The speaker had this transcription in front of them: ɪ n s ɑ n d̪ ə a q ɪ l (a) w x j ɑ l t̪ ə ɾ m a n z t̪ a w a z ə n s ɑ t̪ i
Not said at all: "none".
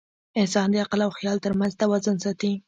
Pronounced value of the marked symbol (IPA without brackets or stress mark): a